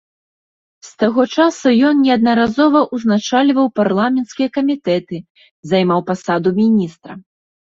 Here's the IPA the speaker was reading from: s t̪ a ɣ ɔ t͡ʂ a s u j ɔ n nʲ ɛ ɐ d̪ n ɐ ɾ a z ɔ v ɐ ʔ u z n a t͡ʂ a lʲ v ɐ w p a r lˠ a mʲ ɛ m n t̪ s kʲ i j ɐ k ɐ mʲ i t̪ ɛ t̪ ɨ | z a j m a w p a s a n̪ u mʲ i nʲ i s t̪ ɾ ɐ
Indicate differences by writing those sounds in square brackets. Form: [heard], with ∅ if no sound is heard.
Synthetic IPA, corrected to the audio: s t̪ a ɣ ɔ t͡ʂ a s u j ɔ n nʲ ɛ ɐ d̪ n ɐ ɾ a z ɔ v ɐ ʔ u z n a t͡ʂ a lʲ v ɐ w p a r lˠ a mʲ ɛ [∅] n t̪ s kʲ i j ɐ k ɐ mʲ i t̪ ɛ t̪ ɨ | z a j m a w p a s a [d̪] u mʲ i nʲ i s t̪ ɾ ɐ